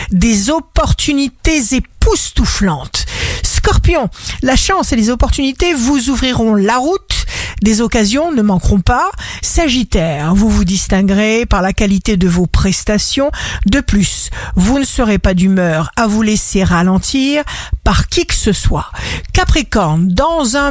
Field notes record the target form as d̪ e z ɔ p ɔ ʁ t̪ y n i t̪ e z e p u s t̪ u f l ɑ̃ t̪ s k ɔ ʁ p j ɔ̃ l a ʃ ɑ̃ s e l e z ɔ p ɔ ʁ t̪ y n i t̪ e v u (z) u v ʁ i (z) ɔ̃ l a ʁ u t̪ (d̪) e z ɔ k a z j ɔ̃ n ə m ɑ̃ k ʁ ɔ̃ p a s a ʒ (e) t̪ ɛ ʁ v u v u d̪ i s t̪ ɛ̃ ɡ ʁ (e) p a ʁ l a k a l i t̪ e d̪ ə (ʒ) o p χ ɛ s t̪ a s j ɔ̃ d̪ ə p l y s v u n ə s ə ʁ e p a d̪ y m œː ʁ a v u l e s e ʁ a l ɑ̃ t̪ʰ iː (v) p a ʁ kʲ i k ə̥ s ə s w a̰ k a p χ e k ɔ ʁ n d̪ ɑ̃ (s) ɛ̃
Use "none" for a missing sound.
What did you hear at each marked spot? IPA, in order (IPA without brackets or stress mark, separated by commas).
z, ʁ, d̪, i, e, v, ʁ, z